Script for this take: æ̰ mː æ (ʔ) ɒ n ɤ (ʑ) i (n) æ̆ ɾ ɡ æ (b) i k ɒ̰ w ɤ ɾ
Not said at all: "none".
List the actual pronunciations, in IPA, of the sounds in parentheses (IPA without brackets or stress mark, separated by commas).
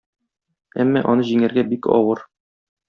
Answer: ʔ, ʑ, ŋ, b